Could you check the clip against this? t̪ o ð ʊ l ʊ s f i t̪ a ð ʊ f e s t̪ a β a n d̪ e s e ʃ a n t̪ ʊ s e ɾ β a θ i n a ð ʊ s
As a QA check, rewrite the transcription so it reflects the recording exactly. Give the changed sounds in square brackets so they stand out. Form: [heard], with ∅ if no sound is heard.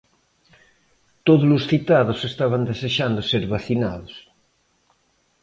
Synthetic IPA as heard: t̪ o ð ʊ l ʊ s [θ] i t̪ a ð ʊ [s] e s t̪ a β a n d̪ e s e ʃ a n [d̪] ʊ s e ɾ β a θ i n a ð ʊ s